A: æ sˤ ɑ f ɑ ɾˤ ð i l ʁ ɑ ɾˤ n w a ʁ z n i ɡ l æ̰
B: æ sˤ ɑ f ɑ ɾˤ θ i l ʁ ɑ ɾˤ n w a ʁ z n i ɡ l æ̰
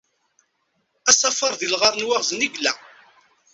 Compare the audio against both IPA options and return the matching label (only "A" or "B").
A